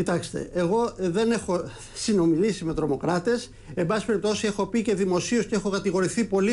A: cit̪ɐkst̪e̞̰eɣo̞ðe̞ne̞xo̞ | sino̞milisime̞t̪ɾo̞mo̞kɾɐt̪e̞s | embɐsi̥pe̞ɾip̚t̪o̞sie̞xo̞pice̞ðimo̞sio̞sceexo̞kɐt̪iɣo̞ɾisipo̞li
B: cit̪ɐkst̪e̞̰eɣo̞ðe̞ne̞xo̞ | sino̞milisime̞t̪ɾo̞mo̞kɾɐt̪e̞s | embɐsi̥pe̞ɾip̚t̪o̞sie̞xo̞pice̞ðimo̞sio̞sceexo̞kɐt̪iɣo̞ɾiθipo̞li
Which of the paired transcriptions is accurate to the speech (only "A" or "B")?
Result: B